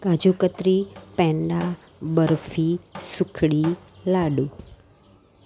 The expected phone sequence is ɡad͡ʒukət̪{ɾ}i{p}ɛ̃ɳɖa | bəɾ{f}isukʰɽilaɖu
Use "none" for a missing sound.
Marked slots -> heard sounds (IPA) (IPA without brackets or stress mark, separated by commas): ɾ, p, f